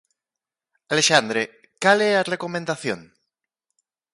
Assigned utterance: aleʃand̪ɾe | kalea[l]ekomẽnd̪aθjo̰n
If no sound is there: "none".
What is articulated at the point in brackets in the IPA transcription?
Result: r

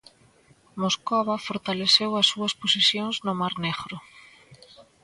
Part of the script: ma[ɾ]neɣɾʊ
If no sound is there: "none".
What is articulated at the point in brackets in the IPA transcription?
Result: ɾ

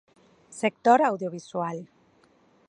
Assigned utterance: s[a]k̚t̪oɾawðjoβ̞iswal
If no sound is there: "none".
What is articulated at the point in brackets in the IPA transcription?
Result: e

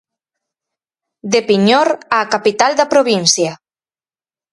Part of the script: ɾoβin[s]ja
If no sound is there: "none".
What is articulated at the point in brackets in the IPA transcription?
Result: s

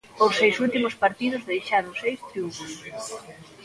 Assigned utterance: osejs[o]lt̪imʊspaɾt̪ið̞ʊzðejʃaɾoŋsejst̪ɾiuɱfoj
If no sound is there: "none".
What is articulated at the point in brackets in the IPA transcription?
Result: u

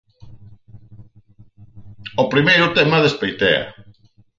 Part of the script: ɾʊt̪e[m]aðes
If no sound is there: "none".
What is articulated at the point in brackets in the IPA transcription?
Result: m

